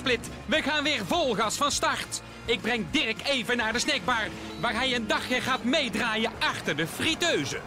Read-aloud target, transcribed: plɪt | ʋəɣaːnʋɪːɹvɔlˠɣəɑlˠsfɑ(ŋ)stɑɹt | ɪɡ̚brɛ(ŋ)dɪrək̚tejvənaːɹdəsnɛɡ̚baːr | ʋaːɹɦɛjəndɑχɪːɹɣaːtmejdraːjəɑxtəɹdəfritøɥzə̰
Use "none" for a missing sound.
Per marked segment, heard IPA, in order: n, ŋ

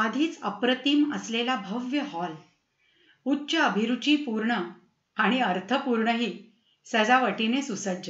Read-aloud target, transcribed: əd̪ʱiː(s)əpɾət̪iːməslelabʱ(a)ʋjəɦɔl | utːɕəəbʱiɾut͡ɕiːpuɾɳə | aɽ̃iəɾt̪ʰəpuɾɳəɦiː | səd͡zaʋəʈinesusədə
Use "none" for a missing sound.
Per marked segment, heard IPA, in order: t͡s, ə

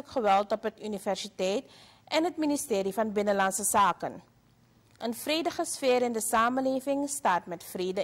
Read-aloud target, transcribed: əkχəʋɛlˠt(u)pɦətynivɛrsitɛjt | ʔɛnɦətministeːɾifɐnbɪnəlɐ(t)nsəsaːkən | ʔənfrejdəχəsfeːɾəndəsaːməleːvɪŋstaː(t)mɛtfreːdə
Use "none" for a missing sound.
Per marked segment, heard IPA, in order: ɔ, none, t

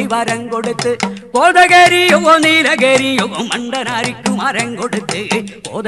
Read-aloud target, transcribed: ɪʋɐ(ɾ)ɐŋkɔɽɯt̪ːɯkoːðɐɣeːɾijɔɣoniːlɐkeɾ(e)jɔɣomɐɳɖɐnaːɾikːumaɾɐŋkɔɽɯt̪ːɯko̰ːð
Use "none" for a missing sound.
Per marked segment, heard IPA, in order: ɾ, i

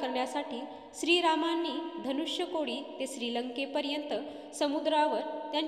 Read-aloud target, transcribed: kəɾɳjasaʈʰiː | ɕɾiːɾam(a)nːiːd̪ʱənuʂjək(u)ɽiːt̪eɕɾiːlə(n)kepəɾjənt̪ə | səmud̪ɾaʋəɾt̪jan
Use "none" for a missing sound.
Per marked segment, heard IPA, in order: a, o, ŋ

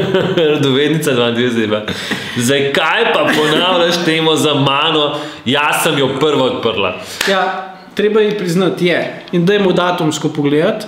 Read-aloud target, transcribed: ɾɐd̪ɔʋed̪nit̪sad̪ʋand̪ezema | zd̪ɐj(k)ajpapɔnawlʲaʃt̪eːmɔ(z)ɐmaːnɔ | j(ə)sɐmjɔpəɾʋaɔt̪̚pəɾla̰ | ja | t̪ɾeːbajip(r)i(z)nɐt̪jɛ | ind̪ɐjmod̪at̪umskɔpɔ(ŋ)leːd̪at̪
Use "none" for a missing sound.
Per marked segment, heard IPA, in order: k, z, a, ɾ, z, ɡ

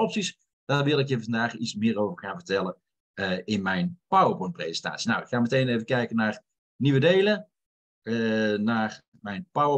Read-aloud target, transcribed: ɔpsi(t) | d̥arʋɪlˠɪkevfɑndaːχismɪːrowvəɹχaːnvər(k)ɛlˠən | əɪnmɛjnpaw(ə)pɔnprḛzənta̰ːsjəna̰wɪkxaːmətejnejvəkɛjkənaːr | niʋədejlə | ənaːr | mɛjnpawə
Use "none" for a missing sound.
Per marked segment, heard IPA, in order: s, t, ə

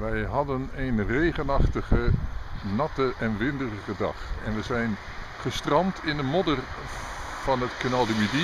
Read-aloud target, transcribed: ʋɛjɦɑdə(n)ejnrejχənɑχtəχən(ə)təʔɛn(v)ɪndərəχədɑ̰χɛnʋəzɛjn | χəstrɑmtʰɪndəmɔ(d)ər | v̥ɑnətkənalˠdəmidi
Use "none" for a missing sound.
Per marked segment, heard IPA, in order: n, ɑ, ʋ, d

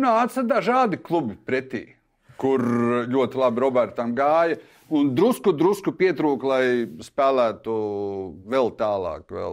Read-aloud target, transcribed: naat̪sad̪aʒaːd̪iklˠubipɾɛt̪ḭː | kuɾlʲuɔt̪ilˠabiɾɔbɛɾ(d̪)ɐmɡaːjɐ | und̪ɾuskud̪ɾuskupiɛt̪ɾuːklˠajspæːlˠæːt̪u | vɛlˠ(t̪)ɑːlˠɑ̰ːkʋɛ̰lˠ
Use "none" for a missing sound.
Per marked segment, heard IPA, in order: t̪, t̪

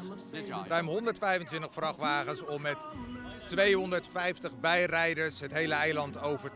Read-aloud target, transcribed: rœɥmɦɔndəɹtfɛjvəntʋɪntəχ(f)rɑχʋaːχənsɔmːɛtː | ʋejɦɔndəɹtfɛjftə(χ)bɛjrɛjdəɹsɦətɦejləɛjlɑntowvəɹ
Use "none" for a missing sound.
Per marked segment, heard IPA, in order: f, χ

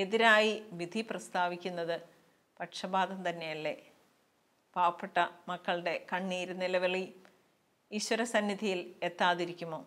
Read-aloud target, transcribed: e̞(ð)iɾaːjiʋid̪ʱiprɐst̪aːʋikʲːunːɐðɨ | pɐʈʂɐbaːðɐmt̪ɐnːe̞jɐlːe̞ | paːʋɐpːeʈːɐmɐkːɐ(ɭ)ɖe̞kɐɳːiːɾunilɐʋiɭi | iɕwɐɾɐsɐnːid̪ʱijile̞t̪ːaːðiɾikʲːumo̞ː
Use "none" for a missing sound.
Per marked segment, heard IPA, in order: ð, ɭ

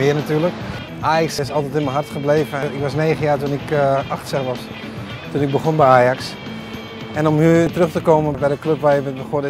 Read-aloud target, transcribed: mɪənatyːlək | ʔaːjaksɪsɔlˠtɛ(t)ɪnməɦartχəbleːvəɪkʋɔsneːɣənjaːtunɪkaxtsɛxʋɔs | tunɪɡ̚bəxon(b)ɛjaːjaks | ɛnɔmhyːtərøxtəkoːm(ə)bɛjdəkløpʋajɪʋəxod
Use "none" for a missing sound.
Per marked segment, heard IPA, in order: t, b, ə

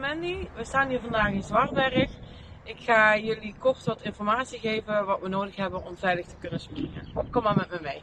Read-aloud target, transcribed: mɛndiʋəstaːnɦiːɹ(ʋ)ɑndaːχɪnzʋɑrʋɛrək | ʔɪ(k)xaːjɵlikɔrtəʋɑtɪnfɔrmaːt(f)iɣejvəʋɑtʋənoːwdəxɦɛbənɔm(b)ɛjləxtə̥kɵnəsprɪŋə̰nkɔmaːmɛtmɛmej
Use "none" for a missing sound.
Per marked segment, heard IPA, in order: v, k, s, v

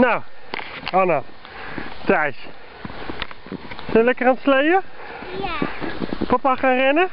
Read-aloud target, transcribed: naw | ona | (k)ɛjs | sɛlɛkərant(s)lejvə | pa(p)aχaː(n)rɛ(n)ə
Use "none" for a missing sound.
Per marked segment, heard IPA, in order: t, s, p, n, n

